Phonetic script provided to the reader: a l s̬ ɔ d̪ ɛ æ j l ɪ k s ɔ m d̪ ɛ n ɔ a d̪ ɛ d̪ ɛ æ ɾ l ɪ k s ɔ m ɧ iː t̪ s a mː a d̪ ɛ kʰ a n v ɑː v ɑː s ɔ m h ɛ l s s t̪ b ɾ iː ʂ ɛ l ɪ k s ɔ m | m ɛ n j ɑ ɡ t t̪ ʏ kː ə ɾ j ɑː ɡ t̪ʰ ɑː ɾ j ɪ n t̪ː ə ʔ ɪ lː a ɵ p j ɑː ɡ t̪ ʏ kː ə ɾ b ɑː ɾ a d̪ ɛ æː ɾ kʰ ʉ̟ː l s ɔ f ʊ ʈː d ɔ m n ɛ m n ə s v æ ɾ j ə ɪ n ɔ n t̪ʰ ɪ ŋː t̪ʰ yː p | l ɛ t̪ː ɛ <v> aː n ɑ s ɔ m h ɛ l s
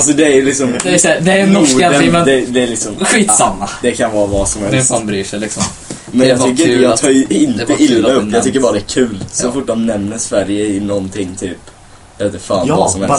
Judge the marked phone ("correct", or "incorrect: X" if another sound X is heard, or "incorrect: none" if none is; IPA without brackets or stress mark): incorrect: f